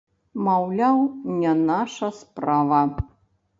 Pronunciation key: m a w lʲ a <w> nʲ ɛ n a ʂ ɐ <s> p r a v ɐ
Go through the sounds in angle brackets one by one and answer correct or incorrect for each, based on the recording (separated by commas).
correct, correct